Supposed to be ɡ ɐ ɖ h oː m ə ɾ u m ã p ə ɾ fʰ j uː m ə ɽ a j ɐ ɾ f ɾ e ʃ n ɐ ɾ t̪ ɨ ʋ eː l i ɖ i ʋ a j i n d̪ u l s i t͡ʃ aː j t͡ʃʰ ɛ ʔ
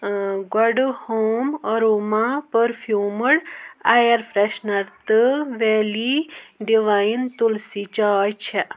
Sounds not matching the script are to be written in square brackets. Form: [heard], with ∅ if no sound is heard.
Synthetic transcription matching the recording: ɡ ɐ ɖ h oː m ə ɾ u m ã p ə ɾ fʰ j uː m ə ɽ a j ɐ ɾ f ɾ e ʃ n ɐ ɾ t̪ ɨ ʋ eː l i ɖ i ʋ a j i n [t̪] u l s i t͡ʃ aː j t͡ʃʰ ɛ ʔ